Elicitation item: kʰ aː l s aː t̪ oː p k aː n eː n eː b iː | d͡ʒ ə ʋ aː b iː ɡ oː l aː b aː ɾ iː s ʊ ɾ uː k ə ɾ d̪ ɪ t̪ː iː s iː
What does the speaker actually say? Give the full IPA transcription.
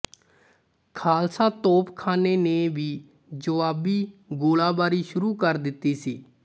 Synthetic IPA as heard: kʰ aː l s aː t̪ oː p kʰ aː n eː n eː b iː | d͡ʒ ə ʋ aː b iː ɡ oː l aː b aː ɾ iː ʃ ʊ ɾ uː k ə ɾ d̪ ɪ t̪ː iː s iː